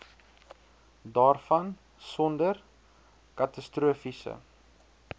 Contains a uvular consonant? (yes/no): no